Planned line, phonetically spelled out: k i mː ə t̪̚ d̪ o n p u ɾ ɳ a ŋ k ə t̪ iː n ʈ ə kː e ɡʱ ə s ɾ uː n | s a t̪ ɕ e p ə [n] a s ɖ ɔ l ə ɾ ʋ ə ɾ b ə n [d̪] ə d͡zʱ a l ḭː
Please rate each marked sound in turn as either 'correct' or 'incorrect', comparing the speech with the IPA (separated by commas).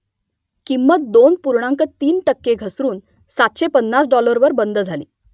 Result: incorrect, correct